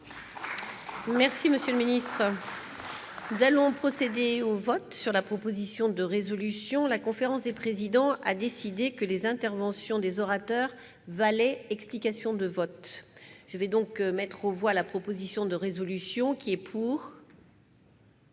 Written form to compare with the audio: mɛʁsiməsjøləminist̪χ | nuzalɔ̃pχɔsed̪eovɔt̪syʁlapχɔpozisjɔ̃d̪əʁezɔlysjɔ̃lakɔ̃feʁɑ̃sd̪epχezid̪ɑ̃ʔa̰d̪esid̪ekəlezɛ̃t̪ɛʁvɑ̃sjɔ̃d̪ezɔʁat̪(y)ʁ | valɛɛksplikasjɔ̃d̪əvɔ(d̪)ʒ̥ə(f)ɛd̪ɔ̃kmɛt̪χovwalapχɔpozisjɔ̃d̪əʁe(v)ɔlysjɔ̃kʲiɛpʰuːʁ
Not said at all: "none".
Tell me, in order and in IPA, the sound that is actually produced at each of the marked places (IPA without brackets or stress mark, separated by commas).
œ, t̪, v, z